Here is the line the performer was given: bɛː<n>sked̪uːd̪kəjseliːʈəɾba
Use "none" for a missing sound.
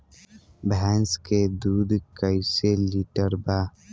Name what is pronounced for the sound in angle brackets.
n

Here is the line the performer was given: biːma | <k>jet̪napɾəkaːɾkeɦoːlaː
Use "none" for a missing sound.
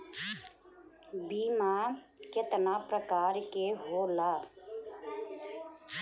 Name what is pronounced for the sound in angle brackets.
k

